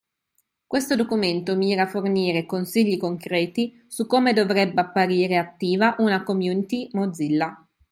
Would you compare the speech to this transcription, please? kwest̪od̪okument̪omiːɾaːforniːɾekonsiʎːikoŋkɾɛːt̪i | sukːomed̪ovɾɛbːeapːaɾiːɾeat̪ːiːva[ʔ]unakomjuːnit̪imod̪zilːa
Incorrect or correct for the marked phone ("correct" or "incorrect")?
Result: correct